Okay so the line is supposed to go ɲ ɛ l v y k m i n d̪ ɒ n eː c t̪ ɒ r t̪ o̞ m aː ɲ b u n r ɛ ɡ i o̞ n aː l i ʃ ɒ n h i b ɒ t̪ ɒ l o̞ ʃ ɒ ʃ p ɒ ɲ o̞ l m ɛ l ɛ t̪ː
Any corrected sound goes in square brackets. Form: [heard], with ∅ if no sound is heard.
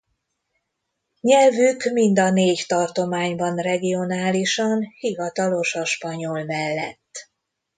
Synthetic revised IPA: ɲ ɛ l v y k m i n d̪ ɒ n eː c t̪ ɒ r t̪ o̞ m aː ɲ b [ɒ] n r ɛ ɡ i o̞ n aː l i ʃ ɒ n h i [v] ɒ t̪ ɒ l o̞ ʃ ɒ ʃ p ɒ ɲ o̞ l m ɛ [lː] ɛ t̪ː

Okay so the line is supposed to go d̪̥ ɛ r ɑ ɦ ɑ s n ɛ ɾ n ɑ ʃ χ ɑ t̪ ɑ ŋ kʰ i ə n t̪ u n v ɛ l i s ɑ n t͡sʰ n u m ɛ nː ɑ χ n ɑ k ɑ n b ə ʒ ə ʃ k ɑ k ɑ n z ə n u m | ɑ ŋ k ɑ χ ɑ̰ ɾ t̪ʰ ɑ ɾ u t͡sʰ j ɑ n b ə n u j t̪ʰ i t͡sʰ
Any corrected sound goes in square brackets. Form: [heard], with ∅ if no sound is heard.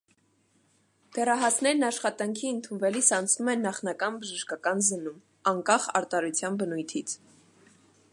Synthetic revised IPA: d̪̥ ɛ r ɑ ɦ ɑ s n ɛ ɾ n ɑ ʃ χ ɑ t̪ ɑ ŋ kʰ i ə n [t̪ʰ] u n v ɛ l i s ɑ n t͡sʰ n u m ɛ nː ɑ χ n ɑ k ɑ n b ə ʒ ə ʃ k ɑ k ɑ n z ə n u m | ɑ ŋ k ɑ χ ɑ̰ ɾ [t̪] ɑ ɾ u t͡sʰ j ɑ n b ə n u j t̪ʰ i t͡sʰ

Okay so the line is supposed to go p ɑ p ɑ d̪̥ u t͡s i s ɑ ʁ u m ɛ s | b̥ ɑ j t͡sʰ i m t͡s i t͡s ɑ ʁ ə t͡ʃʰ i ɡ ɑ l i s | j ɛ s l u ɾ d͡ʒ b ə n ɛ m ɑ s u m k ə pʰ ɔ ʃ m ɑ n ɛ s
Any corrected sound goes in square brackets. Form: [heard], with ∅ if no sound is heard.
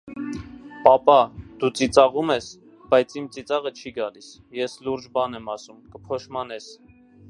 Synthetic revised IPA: p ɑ p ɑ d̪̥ u t͡s i [t͡s] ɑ ʁ u m ɛ s | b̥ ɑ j t͡sʰ i m t͡s i t͡s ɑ ʁ ə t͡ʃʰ i ɡ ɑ l i s | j ɛ s l u ɾ d͡ʒ b [ɑ] n ɛ m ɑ s u m k ə pʰ ɔ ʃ m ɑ n ɛ s

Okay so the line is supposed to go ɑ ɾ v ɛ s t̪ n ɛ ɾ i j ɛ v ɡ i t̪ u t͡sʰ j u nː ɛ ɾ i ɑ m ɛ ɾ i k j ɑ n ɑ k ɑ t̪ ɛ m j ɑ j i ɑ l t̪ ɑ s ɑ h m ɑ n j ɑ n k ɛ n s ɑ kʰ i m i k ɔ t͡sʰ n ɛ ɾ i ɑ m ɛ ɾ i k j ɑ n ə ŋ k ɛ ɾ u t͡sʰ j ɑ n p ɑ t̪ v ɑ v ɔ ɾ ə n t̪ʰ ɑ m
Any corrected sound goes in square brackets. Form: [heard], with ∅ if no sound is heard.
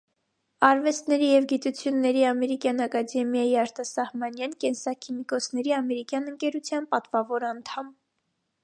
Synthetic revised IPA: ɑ ɾ v ɛ s t̪ n ɛ ɾ i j ɛ v ɡ i t̪ u t͡sʰ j u nː ɛ ɾ i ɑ m ɛ ɾ i k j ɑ n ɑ k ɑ [d̪] ɛ m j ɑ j i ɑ [ɾ] t̪ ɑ s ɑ h m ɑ n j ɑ n k ɛ n s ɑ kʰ i m i k ɔ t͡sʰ n ɛ ɾ i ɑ m ɛ ɾ i k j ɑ n ə ŋ k ɛ ɾ u t͡sʰ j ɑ n p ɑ t̪ v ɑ v ɔ ɾ [ɑ] n t̪ʰ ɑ m

